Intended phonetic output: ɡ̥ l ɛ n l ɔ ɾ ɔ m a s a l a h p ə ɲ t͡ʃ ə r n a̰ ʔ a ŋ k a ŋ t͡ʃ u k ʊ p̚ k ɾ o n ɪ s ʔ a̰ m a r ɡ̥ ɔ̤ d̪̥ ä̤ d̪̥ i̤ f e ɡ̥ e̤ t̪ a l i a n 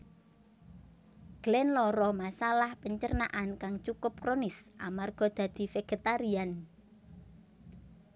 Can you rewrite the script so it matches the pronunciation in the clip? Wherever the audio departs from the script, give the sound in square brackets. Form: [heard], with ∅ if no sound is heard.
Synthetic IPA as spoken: ɡ̥ l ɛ n l ɔ ɾ ɔ m a s a l a h p ə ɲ t͡ʃ ə r n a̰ ʔ a [n] k a ŋ t͡ʃ u k ʊ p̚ k ɾ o n ɪ s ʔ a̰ m a r ɡ̥ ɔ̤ d̪̥ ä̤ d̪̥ i̤ f e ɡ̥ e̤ t̪ a [ɾ] i a n